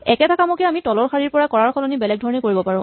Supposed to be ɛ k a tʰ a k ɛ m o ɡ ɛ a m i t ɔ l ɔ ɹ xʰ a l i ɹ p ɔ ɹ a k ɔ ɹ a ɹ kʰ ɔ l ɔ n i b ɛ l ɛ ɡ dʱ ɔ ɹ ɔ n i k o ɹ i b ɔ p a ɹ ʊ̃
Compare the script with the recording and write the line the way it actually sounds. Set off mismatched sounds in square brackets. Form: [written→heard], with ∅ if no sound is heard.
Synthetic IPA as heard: ɛ k [a→ɛ] tʰ a k [ɛ→a] m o [ɡ→k] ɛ a m i t ɔ l ɔ ɹ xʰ a [l→ɹ] i ɹ p ɔ ɹ a k ɔ ɹ a ɹ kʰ ɔ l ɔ n i b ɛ l ɛ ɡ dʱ ɔ ɹ ɔ n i k o ɹ i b ɔ p a ɹ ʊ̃